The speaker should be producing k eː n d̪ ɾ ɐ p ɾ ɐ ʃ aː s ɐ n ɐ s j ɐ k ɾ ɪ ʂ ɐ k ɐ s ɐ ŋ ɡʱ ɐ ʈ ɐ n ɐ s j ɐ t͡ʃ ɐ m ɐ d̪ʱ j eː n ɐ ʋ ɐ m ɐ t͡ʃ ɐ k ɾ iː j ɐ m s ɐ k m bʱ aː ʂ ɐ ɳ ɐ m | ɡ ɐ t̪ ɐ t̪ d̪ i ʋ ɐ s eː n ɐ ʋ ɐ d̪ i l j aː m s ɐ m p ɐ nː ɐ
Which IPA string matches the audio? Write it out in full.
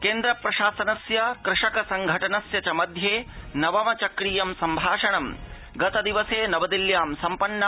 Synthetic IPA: k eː n d̪ ɾ ɐ p ɾ ɐ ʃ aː s ɐ n ɐ s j ɐ k ɾ ɪ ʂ ɐ k ɐ s ɐ ŋ ɡʱ ɐ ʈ ɐ n ɐ s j ɐ t͡ʃ ɐ m ɐ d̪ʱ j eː n ɐ ʋ ɐ m ɐ t͡ʃ ɐ k ɾ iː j ɐ m s ɐ m bʱ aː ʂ ɐ ɳ ɐ m | ɡ ɐ t̪ ɐ d̪ i ʋ ɐ s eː n ɐ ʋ ɐ d̪ i l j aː m s ɐ m p ɐ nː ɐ